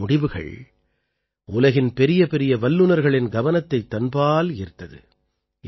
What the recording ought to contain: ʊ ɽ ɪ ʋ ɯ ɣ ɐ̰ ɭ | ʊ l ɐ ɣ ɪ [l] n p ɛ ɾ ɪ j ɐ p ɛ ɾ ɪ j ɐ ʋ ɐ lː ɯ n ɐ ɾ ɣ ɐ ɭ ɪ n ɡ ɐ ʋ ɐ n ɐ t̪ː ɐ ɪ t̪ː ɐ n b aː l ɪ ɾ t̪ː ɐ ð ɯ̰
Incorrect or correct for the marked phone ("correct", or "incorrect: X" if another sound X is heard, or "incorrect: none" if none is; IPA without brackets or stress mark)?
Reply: incorrect: none